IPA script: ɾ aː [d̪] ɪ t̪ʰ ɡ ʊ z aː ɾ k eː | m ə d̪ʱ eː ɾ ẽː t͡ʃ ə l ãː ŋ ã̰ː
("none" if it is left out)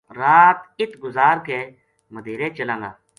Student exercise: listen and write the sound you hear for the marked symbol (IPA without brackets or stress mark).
t̪